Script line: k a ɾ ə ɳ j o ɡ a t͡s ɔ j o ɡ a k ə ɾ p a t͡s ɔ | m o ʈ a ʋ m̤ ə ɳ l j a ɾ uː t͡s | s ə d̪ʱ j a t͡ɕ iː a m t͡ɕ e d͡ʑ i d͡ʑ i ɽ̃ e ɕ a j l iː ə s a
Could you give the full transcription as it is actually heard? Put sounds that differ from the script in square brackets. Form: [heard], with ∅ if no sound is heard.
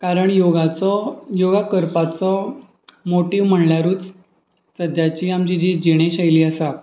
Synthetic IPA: k a ɾ ə ɳ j o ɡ a t͡s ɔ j o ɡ a k ə ɾ p a t͡s ɔ | m o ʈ [i] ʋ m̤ ə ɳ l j a ɾ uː t͡s | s ə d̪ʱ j a t͡ɕ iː a m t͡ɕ [i] d͡ʑ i d͡ʑ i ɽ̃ e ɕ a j l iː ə s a